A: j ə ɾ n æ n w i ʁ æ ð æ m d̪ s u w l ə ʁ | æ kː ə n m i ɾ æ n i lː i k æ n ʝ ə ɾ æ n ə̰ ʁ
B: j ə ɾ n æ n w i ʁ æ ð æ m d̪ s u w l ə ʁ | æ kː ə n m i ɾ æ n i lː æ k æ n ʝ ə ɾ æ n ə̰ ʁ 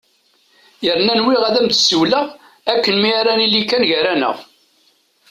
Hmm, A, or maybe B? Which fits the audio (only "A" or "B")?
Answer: A